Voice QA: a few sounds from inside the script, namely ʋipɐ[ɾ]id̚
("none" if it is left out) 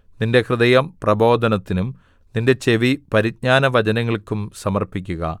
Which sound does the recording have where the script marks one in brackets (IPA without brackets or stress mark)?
ɾ